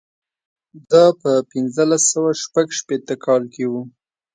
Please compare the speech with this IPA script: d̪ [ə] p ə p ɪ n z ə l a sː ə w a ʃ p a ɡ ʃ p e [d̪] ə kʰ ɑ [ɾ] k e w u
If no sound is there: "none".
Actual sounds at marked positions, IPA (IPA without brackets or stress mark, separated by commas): ɑ, t̪, l